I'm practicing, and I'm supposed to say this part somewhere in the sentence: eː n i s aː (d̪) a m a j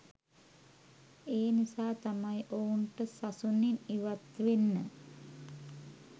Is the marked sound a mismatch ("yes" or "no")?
yes